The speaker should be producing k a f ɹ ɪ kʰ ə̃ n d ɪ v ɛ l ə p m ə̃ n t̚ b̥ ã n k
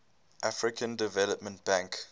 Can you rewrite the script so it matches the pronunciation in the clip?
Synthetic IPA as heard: ʔ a f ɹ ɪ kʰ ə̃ n d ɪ v ɛ l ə p m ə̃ n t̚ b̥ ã ŋ k